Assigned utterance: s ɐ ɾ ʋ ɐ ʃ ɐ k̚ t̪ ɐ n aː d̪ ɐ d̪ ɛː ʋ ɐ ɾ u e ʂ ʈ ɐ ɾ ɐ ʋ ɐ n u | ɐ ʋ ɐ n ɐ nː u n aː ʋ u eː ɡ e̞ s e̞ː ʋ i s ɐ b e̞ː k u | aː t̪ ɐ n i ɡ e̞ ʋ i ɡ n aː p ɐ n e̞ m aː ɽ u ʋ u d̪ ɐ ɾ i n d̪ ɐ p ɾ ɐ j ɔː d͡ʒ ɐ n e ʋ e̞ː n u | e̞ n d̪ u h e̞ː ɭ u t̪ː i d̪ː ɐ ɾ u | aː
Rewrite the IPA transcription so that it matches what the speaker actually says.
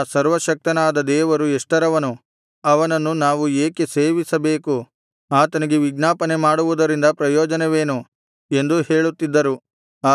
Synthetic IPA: s ɐ ɾ ʋ ɐ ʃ ɐ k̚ t̪ ɐ n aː d̪ ɐ d̪ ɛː ʋ ɐ ɾ u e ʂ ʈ ɐ ɾ ɐ ʋ ɐ n u | ɐ ʋ ɐ n ɐ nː u n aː ʋ u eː k e̞ s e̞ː ʋ i s ɐ b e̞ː k u | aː t̪ ɐ n i ɡ e̞ ʋ i ɡ n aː p ɐ n e̞ m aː ɽ u ʋ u d̪ ɐ ɾ i n d̪ ɐ p ɾ ɐ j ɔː d͡ʒ ɐ n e ʋ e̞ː n u | e̞ n d̪ u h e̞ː ɭ u t̪ː i d̪ː ɐ ɾ u | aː